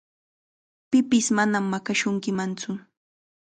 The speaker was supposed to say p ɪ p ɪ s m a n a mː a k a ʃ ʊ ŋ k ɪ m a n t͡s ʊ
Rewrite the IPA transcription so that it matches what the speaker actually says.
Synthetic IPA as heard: p ɪ p ɪ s m a n a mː a k a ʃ ʊ ŋ k ɪ m a n t͡s ʊ

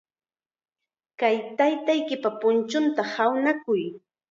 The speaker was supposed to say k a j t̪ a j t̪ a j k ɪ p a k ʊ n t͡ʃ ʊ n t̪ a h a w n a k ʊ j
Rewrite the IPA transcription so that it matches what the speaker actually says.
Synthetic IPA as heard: k a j t̪ a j t̪ a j k ɪ p a p ʊ n t͡ʃ ʊ n t̪ a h a w n a k ʊ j

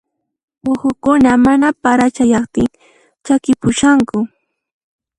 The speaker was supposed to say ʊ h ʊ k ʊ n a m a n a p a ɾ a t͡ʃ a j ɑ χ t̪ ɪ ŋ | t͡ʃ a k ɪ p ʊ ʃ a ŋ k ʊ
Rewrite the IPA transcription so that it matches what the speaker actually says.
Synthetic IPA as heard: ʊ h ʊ k ʊ n a m a n a p a ɾ a t͡ʃ a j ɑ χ t̪ ɪ ŋ | t͡ʃ a k ɪ p ʊ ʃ a ŋ k ʊ

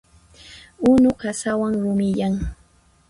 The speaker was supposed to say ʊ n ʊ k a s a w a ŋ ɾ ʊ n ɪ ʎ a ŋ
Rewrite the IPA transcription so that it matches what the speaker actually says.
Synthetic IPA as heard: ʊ n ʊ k a s a w a ŋ ɾ ʊ m ɪ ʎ a ŋ

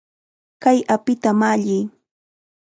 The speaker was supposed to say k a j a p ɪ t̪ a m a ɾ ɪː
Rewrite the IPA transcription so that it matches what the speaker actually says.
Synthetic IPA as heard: k a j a p ɪ t̪ a m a ʎ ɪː

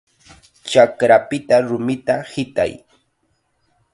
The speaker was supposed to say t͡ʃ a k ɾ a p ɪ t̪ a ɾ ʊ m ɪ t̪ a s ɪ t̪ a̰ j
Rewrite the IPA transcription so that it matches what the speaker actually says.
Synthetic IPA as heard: t͡ʃ a k ɾ a p ɪ t̪ a ɾ ʊ m ɪ t̪ a h ɪ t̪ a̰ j

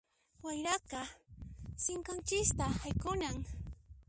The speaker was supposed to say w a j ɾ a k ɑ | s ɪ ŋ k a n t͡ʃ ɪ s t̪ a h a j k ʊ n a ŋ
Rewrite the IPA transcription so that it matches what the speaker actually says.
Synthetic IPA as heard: w a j ɾ a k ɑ | s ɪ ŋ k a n t͡ʃ ɪ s t̪ a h a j k ʊ n a ŋ

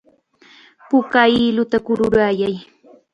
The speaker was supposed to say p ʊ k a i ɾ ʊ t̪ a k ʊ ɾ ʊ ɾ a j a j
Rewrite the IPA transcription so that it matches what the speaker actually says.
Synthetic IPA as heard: p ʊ k a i l ʊ t̪ a k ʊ ɾ ʊ ɾ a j a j

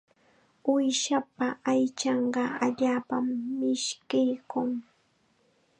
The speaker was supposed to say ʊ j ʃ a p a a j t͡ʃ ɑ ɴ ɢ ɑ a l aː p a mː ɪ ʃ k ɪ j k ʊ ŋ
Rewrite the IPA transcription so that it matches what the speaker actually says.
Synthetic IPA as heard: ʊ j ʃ a p a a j t͡ʃ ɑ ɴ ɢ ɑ a ʎ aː p a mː ɪ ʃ k ɪ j k ʊ ŋ

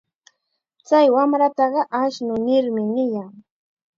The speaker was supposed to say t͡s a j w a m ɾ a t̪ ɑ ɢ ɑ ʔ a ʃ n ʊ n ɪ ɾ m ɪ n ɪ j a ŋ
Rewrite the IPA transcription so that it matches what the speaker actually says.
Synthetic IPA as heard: t͡s a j w a m ɾ a t̪ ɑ ɢ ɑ ʔ a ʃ n ʊ n ɪ ɾ m ɪ n ɪ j a ŋ

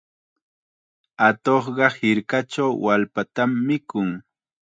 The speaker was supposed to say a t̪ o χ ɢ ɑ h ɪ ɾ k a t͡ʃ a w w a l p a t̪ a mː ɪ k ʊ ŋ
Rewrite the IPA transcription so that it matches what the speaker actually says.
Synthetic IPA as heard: a t̪ o χ ɢ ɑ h ɪ ɾ k a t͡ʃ a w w a l p a t̪ a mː ɪ k ʊ ŋ

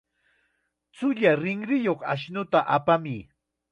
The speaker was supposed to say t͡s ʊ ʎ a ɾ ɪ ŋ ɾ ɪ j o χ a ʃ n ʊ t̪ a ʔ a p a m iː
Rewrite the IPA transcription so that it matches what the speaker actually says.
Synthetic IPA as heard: t͡s ʊ ʎ a ɾ ɪ ŋ ɾ ɪ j o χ a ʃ n ʊ t̪ a ʔ a p a m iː

